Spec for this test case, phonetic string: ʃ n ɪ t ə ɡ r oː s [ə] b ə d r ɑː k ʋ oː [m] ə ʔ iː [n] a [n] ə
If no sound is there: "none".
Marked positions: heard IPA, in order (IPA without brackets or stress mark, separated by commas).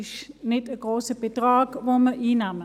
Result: ə, m, n, m